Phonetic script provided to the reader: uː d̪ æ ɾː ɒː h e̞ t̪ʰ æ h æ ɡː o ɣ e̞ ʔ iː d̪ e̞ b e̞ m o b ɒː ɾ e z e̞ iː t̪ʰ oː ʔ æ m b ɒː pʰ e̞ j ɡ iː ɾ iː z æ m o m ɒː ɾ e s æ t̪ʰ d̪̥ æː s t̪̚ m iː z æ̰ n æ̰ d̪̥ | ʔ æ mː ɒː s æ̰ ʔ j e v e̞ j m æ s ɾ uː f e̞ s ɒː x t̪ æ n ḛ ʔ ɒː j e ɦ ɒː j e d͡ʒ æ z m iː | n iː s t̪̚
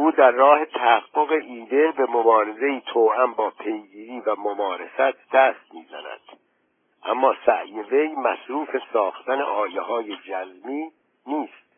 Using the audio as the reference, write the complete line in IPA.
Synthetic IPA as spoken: uː d̪ æ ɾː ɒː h e̞ t̪ʰ æ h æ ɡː o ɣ e̞ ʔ iː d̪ e̞ b e̞ m o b ɒː ɾ e z e̞ iː t̪ʰ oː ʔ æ m b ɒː pʰ e̞ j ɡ iː ɾ iː v æ m o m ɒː ɾ e s æ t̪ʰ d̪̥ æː s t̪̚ m iː z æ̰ n æ̰ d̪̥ | ʔ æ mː ɒː s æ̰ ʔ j e v e̞ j m æ s ɾ uː f e̞ s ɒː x t̪ æ n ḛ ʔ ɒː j e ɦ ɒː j e d͡ʒ æ z m iː | n iː s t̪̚